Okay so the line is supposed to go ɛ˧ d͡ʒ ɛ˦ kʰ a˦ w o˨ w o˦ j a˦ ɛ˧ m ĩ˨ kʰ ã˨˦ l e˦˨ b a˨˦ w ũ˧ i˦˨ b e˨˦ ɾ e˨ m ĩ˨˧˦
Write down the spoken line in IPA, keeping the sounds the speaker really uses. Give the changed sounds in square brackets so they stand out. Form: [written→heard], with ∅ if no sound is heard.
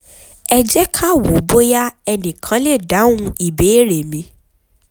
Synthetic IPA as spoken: ɛ˧ d͡ʒ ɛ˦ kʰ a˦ w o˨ [w→b] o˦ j a˦ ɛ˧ [m→n] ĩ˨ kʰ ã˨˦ l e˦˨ [b→d] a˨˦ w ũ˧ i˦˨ b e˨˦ ɾ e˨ m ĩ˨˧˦